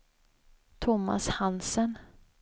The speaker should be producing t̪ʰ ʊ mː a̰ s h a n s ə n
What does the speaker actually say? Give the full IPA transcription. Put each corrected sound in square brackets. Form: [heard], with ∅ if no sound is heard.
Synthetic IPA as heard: t̪ʰ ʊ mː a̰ s h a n s ə n